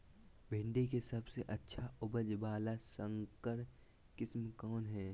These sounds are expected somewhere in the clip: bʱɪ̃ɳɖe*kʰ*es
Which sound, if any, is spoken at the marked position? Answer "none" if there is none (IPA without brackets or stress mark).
k